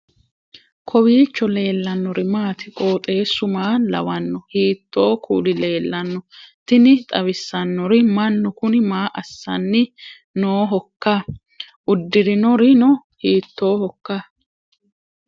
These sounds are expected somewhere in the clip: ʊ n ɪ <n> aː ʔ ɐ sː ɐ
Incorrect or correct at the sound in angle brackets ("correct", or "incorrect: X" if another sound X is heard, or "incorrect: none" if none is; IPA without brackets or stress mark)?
incorrect: m